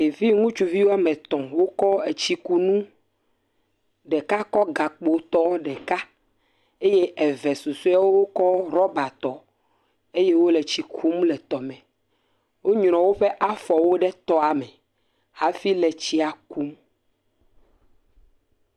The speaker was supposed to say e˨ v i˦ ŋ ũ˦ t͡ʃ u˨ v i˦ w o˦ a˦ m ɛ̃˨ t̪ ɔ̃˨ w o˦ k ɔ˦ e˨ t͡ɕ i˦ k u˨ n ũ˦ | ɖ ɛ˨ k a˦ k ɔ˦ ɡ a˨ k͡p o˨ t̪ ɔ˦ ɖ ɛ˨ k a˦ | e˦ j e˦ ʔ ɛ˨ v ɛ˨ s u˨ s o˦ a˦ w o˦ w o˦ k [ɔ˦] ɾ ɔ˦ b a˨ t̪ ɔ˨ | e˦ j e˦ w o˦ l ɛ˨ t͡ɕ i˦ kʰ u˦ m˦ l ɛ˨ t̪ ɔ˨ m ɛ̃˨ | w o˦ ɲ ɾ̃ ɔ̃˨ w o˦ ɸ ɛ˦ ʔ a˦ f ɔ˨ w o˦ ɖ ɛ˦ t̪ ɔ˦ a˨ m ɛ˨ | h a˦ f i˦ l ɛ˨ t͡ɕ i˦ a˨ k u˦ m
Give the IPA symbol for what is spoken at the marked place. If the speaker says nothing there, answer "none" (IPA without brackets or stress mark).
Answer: ɔ˦